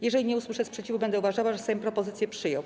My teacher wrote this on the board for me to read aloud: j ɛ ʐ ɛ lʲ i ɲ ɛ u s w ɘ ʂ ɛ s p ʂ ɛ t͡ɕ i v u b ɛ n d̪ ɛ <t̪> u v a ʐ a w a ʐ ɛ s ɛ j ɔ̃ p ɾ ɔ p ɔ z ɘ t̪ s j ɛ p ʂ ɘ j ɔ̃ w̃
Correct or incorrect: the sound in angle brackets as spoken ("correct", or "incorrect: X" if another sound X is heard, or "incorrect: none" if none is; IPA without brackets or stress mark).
incorrect: none